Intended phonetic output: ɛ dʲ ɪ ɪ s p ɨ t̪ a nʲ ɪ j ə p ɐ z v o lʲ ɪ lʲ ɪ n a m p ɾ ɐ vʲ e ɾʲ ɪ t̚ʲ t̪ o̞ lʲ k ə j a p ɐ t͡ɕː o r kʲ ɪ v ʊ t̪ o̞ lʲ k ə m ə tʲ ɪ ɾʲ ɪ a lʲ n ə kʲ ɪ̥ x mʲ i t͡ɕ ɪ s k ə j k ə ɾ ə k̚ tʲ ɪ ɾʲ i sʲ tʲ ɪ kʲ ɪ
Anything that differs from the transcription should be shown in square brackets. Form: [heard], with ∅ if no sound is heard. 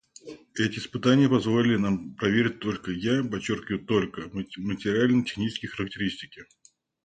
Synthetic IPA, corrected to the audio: ɛ [tʲ] ɪ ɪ s p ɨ t̪ a nʲ ɪ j ə p ɐ z v o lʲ ɪ lʲ ɪ n a m p ɾ ɐ vʲ e ɾʲ ɪ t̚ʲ t̪ o̞ lʲ k ə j a p ɐ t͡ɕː o r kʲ ɪ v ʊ t̪ o̞ lʲ k ə m ə tʲ ɪ ɾʲ ɪ a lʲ n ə [tʲ] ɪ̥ x [nʲ] i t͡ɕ ɪ s k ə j [x] ə ɾ ə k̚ tʲ ɪ ɾʲ i sʲ tʲ ɪ kʲ ɪ